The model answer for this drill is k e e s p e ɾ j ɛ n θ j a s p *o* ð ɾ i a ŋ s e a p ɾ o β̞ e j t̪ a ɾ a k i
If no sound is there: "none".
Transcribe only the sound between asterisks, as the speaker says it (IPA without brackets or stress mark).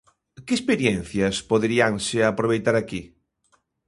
o